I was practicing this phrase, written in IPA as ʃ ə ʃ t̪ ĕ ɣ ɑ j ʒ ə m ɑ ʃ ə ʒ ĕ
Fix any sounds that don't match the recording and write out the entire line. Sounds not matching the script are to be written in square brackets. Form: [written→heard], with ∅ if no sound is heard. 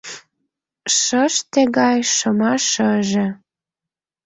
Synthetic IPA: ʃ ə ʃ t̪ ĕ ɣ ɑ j [ʒ→ʃ] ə m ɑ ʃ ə ʒ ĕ

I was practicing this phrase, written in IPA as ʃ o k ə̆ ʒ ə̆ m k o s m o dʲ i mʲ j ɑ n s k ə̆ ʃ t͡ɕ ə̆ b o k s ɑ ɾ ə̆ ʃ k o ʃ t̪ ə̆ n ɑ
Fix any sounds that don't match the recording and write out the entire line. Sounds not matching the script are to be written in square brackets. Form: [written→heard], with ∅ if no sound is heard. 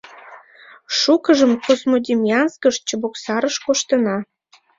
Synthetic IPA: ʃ [o→u] k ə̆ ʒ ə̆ m k o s m o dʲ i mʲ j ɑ n s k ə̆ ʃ t͡ɕ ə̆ b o k s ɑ ɾ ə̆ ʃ k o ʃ t̪ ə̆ n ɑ

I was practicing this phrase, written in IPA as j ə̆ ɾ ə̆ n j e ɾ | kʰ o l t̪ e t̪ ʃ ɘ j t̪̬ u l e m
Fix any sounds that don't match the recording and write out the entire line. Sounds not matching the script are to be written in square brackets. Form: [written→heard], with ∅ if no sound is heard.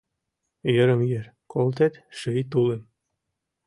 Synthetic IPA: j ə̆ ɾ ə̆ [n→m] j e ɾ | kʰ o l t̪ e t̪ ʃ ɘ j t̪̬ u l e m

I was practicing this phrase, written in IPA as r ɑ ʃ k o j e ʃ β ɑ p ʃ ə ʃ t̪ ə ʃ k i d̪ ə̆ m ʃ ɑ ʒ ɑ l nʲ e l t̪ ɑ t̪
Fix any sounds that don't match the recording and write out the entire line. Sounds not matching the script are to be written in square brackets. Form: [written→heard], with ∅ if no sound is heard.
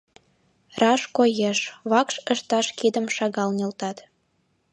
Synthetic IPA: r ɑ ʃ k o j e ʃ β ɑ [p→k] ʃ ə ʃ t̪ [ə→ɑ] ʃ k i d̪ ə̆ m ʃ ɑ [ʒ→ɣ] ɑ l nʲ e l t̪ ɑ t̪

